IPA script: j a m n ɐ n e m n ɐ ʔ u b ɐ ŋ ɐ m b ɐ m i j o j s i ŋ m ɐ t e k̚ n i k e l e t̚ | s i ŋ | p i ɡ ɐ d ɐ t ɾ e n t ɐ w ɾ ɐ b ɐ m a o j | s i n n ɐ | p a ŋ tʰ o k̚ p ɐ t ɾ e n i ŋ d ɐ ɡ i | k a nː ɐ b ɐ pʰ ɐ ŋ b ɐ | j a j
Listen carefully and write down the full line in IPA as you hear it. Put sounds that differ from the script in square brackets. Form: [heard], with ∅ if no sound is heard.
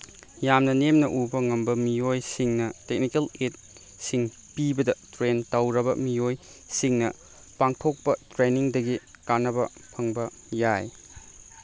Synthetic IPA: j a m n ɐ n e m n ɐ ʔ u b ɐ ŋ ɐ m b ɐ m i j o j s i ŋ [n] ɐ t e k̚ n i k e l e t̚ | s i ŋ | p i [b] ɐ d ɐ t ɾ e n t ɐ w ɾ ɐ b ɐ m [i] o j | s i [ŋ] n ɐ | p a ŋ tʰ o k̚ p ɐ t ɾ e n i ŋ d ɐ ɡ i | k a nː ɐ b ɐ pʰ ɐ ŋ b ɐ | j a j